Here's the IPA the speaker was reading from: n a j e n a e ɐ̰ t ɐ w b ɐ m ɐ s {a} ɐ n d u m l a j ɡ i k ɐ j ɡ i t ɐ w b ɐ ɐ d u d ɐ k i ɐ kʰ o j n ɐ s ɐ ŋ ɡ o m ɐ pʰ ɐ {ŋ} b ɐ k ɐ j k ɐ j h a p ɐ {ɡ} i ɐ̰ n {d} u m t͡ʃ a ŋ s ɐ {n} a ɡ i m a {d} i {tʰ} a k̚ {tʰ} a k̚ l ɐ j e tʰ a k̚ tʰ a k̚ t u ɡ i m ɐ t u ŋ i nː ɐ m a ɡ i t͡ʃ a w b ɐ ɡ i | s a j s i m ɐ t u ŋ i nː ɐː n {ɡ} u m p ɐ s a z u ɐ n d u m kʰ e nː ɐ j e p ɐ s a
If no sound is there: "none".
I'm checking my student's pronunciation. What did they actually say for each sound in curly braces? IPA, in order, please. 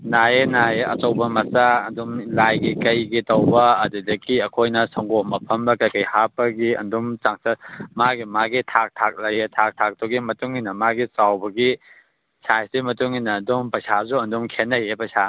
a, m, ɡ, d, m, ɡ, tʰ, tʰ, d

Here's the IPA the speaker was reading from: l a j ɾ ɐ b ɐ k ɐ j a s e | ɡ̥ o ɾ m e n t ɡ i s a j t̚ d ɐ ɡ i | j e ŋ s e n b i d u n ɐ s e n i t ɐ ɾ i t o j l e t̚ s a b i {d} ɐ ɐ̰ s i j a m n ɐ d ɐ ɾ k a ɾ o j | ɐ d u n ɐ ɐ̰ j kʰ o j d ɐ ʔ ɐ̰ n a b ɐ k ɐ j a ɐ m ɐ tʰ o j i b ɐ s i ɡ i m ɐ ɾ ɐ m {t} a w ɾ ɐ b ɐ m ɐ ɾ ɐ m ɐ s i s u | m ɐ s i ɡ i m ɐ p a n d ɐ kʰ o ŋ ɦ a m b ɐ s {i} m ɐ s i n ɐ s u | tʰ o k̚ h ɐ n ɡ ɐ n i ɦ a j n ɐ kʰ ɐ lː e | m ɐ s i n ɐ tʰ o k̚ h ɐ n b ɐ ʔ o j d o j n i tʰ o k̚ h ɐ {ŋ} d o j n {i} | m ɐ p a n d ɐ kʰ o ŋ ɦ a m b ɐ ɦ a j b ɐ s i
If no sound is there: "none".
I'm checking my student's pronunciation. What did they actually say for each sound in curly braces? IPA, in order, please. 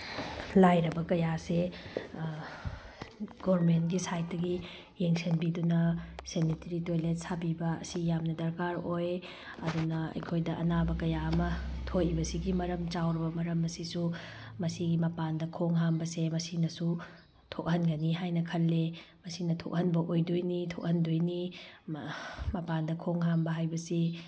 b, t͡ʃ, e, n, i

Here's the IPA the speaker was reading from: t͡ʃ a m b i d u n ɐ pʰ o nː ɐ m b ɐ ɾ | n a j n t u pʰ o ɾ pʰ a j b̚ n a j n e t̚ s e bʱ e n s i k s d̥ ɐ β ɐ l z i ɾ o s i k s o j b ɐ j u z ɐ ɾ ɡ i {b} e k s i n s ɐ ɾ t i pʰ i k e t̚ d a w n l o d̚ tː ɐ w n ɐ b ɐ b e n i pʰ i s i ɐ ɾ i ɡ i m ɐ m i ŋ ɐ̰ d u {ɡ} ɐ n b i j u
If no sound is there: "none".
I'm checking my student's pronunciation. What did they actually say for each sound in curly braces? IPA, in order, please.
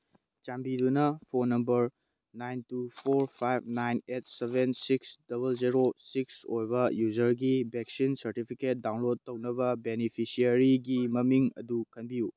b, k

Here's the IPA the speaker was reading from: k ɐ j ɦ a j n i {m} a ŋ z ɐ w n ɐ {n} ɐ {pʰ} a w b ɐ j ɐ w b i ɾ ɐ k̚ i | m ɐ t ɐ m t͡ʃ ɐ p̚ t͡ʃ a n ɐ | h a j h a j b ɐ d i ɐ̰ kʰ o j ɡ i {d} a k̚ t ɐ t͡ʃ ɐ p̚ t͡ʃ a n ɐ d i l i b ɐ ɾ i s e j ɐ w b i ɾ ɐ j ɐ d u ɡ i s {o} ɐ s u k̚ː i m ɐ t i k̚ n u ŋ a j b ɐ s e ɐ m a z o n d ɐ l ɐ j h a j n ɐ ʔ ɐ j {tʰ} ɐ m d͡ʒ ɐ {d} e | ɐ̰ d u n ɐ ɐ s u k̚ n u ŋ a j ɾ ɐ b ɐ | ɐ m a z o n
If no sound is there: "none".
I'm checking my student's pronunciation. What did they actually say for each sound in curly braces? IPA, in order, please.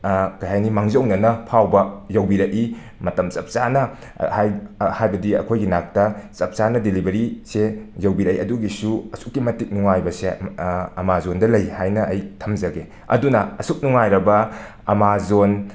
m, n, pʰ, n, u, tʰ, ɡ

